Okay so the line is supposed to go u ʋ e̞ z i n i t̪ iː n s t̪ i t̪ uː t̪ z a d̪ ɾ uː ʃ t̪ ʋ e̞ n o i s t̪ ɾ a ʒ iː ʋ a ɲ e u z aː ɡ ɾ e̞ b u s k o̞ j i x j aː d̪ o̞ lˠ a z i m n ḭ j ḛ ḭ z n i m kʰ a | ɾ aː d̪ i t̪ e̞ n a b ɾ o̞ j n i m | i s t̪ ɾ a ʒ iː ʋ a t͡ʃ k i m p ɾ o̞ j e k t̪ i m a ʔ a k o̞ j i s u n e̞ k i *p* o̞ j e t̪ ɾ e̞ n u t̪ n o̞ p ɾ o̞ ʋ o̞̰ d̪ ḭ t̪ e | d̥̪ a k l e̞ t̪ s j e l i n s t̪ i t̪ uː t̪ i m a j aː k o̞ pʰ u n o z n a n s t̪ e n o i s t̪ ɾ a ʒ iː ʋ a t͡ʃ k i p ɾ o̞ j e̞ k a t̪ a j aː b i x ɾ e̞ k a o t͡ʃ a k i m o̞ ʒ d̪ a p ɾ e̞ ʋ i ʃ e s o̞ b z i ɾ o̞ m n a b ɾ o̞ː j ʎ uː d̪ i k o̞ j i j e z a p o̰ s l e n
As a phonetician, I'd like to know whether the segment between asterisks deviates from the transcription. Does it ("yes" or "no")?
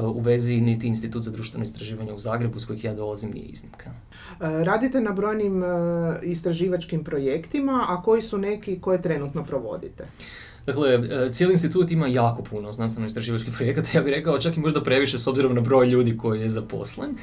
yes